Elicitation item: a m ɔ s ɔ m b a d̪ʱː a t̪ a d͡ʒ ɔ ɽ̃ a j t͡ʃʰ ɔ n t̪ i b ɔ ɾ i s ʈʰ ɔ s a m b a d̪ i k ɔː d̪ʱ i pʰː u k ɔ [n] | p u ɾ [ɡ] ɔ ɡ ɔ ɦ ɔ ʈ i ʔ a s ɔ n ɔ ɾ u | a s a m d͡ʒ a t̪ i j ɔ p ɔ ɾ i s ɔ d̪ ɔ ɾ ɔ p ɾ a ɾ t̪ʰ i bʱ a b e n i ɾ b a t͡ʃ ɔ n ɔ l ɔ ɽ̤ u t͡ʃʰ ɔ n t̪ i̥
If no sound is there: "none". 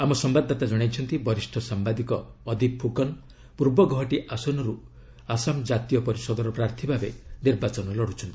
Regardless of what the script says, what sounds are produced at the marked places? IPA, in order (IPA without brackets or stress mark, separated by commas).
n, b